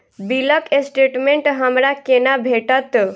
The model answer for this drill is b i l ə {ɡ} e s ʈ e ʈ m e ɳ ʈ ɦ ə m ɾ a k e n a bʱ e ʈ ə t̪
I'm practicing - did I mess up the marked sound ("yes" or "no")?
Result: yes